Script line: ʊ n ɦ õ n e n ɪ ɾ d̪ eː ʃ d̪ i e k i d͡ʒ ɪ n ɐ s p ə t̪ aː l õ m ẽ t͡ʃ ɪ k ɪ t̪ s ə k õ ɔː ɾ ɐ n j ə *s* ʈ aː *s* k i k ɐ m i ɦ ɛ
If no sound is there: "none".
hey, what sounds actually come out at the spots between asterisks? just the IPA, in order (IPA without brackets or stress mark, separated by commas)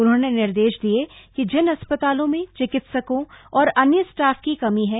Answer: s, f